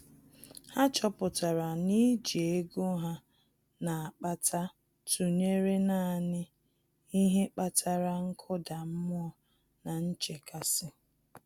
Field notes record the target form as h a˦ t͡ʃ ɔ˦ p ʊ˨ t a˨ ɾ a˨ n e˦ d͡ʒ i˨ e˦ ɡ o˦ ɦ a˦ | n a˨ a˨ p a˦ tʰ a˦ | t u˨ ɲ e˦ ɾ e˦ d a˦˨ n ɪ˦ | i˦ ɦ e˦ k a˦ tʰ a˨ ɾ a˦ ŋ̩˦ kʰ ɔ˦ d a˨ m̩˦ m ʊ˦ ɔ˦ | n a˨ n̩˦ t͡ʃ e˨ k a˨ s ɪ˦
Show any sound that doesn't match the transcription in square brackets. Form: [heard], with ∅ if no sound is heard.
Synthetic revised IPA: h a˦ t͡ʃ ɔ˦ p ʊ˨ t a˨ ɾ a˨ n [i˦] d͡ʒ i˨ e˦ ɡ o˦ ɦ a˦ | n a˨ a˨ [k͡p] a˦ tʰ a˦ | t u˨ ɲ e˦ ɾ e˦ [n] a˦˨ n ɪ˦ | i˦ ɦ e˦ [k͡p] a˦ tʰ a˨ ɾ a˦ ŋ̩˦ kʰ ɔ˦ d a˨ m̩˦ m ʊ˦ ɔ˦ | n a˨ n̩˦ t͡ʃ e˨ k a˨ s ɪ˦

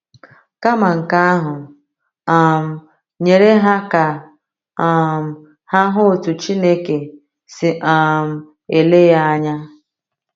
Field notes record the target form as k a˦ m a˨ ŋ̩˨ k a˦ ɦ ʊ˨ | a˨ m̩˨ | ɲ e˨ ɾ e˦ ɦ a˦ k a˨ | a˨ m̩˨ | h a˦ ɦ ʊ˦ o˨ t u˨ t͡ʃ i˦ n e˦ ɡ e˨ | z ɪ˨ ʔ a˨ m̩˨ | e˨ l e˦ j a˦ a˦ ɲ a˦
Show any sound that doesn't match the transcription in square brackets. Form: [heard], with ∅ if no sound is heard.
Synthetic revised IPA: k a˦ m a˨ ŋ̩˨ k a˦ ɦ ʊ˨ | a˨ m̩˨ | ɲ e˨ ɾ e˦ ɦ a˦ k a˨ | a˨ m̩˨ | h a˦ ɦ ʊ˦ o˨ t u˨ t͡ʃ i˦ n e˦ [k] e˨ | [s] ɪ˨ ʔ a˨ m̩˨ | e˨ l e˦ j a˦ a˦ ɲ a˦

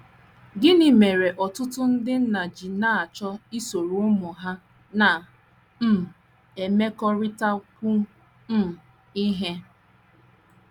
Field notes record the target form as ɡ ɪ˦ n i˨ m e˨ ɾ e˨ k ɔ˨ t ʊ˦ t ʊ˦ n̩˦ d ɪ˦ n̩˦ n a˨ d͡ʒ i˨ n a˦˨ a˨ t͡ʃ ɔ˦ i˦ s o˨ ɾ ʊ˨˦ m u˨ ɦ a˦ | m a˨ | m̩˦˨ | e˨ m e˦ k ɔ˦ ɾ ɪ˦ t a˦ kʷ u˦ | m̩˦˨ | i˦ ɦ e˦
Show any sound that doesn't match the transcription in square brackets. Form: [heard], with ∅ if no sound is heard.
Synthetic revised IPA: ɡ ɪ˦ n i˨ m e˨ ɾ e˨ [ʔ] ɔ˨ t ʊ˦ t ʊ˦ n̩˦ d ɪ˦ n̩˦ n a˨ d͡ʒ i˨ n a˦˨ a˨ t͡ʃ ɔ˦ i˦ s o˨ ɾ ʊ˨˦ m [ʊ˨] ɦ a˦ | [n] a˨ | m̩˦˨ | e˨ m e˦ k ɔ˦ ɾ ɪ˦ t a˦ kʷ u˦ | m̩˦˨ | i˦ ɦ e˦

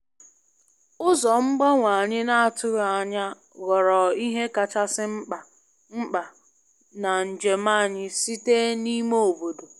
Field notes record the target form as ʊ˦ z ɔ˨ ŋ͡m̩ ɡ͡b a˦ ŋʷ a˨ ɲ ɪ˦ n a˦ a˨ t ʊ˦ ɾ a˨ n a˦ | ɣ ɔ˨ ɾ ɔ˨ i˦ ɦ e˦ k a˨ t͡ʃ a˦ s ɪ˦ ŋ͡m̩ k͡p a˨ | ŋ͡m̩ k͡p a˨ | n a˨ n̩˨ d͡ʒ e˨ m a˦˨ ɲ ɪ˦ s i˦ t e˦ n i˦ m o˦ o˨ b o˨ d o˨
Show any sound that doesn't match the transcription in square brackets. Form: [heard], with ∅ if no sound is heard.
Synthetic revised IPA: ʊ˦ z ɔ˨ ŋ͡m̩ ɡ͡b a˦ ŋʷ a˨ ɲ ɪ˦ n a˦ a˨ t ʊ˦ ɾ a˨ [ɲ] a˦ | ɣ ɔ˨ ɾ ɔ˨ i˦ ɦ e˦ k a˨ t͡ʃ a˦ s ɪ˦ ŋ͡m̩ k͡p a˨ | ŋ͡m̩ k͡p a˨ | n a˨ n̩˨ d͡ʒ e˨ m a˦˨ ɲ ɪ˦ s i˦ t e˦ n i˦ m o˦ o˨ b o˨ d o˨

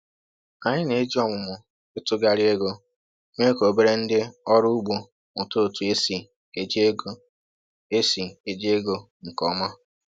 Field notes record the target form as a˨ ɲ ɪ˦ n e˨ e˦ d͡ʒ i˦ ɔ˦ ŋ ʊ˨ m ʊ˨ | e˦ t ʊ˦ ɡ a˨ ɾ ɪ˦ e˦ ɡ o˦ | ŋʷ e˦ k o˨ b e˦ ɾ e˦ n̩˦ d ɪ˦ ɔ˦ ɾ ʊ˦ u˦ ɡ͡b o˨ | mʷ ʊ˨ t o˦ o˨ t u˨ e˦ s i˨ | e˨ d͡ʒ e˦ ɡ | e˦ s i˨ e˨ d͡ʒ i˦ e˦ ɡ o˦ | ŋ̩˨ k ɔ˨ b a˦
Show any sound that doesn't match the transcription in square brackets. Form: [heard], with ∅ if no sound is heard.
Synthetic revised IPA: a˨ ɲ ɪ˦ n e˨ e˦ d͡ʒ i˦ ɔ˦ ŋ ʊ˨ m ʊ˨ | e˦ t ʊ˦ ɡ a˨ ɾ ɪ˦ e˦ ɡ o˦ | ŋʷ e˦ k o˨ b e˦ ɾ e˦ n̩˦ d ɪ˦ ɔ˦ ɾ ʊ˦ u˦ ɡ͡b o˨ | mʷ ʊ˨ t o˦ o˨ t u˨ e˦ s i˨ | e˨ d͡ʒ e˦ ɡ | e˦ s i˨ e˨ d͡ʒ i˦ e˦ ɡ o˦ | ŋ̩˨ k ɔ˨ [m] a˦

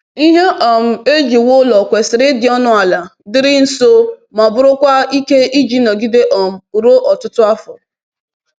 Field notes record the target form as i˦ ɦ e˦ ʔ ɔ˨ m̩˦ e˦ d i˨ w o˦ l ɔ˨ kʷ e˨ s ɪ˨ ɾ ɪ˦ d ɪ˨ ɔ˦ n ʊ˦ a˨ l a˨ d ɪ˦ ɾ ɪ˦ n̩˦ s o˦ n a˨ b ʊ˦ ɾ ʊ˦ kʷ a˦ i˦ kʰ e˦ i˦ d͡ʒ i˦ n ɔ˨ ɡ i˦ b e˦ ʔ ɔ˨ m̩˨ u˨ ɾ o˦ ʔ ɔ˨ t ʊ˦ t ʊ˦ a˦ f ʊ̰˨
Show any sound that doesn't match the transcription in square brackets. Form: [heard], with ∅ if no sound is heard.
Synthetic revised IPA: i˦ ɦ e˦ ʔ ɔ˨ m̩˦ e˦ [d͡ʒ] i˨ w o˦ l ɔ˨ kʷ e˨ s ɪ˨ ɾ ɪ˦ d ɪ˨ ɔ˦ n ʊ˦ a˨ l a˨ d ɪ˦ ɾ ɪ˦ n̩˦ s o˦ [m] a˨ b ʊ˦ ɾ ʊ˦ kʷ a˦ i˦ [k] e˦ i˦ d͡ʒ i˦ n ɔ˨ ɡ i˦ [d] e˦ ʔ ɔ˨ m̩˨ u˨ ɾ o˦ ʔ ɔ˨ t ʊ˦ t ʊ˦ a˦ f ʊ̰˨

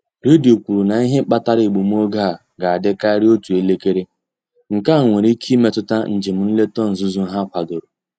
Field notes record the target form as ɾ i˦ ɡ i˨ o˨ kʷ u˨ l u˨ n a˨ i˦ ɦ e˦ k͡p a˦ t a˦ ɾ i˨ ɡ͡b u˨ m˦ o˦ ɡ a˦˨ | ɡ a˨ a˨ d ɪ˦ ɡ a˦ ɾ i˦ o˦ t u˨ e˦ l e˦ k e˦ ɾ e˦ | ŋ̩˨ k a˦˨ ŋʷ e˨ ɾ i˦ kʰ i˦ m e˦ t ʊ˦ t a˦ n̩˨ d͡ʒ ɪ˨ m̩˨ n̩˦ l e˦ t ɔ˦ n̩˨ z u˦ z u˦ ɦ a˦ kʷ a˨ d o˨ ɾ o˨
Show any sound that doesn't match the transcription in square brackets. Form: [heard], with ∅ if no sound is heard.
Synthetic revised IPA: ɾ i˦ [d] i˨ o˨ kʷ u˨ [ɾ] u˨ n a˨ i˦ ɦ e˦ k͡p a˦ t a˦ ɾ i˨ ɡ͡b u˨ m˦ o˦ ɡ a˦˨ | ɡ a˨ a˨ d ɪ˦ [k] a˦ ɾ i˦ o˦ t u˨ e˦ l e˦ k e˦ ɾ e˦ | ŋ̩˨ k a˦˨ ŋʷ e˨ ɾ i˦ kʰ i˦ m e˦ t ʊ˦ t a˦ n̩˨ d͡ʒ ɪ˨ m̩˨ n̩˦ l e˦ t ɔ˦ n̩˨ z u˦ z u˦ ɦ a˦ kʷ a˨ d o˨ ɾ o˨

